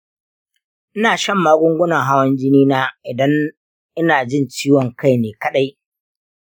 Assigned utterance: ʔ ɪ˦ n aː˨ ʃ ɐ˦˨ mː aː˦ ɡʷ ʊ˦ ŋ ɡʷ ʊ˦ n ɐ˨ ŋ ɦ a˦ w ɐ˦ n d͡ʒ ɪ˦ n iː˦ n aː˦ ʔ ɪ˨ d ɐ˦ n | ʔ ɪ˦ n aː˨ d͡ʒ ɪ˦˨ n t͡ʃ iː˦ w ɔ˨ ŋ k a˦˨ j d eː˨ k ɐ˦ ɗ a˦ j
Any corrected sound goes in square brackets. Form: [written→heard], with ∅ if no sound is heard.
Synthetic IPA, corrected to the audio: ʔ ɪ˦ n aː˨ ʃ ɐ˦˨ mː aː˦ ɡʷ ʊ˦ ŋ ɡʷ ʊ˦ n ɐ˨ ŋ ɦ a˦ w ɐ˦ n d͡ʒ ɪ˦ n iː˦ n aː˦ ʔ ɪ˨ d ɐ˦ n | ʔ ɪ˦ n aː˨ d͡ʒ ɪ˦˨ n t͡ʃ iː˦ w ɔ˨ ŋ k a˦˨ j [d→n] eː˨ k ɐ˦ ɗ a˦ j